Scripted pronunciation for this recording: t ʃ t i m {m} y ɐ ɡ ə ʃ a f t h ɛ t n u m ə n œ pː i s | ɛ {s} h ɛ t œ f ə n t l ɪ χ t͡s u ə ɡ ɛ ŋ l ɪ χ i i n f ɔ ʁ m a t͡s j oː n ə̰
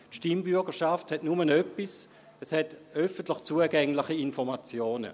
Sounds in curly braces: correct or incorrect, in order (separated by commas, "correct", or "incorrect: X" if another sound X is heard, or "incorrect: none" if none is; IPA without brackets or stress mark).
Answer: incorrect: b, correct